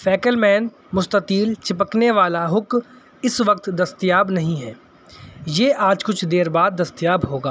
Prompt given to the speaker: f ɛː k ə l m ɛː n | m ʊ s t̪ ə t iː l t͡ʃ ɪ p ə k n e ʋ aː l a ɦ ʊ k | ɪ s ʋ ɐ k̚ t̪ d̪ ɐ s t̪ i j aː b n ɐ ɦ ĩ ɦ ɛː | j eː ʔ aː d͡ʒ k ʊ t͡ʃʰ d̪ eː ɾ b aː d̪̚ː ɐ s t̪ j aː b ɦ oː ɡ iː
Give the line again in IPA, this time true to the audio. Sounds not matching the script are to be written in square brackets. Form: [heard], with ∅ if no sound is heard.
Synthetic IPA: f ɛː k ə l m ɛː n | m ʊ s t̪ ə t iː l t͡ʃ ɪ p ə k n e ʋ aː l a ɦ ʊ k | ɪ s ʋ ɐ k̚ t̪ d̪ ɐ s t̪ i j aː b n ɐ ɦ ĩ ɦ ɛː | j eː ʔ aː d͡ʒ k ʊ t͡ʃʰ d̪ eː ɾ b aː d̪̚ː ɐ s t̪ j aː b ɦ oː ɡ [aː]